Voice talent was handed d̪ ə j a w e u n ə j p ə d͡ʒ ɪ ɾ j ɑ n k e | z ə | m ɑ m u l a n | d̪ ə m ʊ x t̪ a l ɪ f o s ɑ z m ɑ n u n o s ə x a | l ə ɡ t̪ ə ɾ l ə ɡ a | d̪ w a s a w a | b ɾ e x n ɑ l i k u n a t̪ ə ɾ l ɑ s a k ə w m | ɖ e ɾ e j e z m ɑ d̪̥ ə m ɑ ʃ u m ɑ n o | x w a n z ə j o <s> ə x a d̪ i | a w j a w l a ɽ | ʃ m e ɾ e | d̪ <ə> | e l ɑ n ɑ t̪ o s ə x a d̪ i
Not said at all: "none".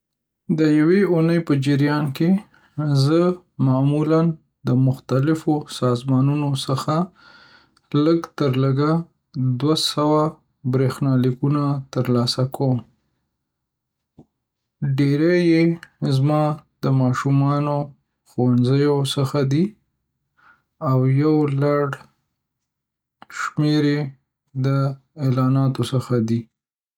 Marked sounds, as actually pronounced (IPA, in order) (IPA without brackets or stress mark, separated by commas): s, ə